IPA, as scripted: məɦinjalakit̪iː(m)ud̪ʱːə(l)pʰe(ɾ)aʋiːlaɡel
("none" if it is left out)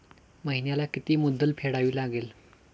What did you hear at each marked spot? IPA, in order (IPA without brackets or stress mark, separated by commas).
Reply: m, l, ɽ